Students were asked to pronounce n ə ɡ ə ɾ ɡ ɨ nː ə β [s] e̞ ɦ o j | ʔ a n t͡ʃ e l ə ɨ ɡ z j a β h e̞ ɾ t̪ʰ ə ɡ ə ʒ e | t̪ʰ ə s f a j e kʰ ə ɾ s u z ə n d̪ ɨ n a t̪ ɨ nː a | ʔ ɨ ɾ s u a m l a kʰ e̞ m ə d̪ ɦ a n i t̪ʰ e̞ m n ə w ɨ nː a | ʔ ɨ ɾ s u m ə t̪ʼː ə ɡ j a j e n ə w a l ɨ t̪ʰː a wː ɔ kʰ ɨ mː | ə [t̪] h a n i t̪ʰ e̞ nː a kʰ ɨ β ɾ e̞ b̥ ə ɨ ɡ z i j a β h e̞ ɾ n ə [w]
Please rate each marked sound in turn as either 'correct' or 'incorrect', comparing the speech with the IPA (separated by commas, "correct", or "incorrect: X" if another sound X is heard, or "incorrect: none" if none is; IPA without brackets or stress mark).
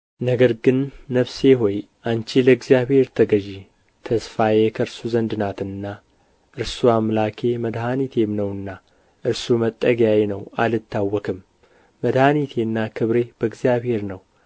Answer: correct, incorrect: d̪, correct